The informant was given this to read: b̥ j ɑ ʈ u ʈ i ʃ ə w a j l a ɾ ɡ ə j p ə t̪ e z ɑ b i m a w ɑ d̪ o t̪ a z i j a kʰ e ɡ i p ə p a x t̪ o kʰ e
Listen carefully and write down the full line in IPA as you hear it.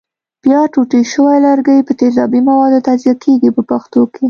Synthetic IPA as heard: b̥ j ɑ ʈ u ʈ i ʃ ə w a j l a ɾ ɡ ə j p ə t̪ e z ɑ b i m a w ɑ d̪ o t̪ a z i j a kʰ e ɡ i p ə p a x t̪ o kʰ e